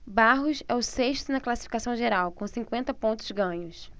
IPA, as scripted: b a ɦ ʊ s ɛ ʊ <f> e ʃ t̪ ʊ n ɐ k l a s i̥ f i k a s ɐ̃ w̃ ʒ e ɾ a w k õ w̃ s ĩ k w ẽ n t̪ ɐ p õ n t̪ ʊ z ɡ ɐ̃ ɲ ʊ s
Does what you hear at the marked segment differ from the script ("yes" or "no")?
yes